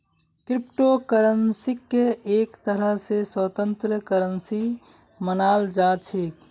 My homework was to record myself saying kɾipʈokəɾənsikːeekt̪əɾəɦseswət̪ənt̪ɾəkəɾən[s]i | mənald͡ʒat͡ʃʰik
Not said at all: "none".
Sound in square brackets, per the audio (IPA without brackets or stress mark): s